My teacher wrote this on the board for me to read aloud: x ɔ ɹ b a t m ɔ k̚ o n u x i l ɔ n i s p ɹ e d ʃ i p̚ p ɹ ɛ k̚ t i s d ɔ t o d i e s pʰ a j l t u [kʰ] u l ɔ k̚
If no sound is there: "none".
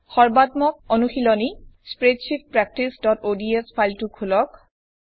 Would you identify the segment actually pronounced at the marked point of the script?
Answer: kʰ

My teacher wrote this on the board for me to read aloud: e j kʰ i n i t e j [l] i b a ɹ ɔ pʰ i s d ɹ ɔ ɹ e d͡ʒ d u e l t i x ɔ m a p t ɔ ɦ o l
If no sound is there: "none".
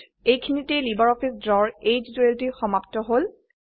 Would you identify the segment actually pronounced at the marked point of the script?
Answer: l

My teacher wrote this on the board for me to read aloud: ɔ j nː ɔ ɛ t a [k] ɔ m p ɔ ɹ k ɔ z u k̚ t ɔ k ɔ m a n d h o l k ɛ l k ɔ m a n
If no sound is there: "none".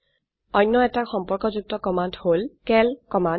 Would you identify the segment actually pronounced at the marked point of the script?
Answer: x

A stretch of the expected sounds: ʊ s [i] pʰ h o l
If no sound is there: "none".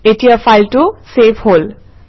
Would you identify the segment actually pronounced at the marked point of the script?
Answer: e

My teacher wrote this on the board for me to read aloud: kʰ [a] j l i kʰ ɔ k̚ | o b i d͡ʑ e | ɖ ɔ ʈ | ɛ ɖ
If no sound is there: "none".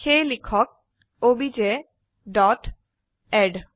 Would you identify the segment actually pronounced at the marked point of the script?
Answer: e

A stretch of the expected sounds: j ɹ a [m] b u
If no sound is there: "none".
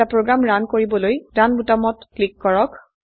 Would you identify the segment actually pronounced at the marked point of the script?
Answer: n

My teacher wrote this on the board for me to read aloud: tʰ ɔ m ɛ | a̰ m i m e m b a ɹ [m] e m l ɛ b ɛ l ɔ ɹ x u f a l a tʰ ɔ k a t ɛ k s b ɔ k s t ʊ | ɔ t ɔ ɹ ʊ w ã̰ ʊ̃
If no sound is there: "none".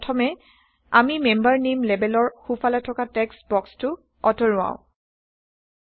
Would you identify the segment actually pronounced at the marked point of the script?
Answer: n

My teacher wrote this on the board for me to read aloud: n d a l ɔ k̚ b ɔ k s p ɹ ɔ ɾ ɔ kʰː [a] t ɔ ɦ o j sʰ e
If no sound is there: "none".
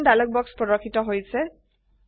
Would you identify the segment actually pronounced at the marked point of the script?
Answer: i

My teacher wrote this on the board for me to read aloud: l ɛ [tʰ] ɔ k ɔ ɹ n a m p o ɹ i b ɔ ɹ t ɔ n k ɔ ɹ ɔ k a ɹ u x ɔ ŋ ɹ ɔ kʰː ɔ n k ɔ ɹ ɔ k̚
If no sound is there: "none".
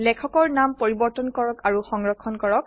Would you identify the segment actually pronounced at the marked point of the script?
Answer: kʰ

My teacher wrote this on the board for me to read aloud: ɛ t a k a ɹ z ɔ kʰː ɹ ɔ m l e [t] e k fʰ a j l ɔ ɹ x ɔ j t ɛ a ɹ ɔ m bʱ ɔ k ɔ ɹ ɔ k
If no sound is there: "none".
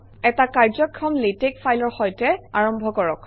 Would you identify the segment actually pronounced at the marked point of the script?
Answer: t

